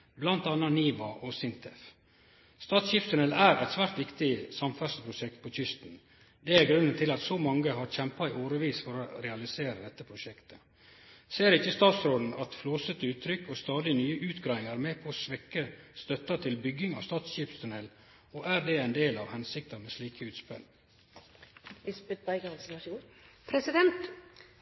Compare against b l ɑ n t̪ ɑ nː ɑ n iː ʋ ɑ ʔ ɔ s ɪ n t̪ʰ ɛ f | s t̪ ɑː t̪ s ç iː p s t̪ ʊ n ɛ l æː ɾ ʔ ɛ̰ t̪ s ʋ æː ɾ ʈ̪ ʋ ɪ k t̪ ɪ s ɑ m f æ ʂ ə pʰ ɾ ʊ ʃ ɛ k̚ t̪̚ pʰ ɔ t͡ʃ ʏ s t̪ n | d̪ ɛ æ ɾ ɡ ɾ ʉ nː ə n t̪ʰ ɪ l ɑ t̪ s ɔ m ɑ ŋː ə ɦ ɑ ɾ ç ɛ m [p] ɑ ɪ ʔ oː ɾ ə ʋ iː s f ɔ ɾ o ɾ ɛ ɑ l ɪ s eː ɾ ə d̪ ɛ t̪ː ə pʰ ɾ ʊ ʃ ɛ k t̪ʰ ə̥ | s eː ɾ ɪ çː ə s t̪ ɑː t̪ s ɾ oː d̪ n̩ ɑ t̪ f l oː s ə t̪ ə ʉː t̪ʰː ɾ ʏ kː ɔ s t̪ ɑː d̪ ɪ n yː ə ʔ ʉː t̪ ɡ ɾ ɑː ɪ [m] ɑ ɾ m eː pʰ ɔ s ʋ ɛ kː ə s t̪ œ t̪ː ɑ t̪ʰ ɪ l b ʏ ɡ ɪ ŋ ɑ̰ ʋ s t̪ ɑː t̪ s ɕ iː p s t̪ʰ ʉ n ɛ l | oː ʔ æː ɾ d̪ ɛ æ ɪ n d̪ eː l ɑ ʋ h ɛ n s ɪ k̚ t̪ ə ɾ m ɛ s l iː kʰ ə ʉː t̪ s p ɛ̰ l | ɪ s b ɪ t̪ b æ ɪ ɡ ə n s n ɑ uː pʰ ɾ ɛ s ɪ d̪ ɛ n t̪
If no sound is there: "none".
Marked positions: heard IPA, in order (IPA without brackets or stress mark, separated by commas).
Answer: p, ŋ